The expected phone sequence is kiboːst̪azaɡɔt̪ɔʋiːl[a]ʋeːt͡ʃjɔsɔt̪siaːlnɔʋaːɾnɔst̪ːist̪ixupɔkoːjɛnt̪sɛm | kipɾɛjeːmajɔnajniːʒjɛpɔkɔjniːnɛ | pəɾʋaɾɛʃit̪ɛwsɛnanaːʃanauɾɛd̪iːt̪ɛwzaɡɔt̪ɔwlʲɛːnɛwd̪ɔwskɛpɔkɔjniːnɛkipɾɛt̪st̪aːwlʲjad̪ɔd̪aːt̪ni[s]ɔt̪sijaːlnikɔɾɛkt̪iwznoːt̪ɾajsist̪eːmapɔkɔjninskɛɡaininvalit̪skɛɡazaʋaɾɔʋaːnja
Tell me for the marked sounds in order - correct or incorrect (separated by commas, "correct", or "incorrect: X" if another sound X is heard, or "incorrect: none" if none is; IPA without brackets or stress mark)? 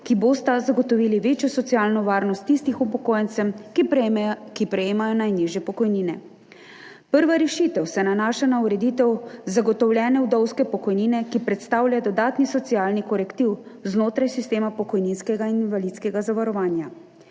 incorrect: i, correct